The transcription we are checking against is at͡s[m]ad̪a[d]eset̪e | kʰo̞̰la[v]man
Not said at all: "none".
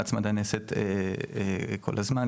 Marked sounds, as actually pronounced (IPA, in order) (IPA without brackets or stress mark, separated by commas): m, n, z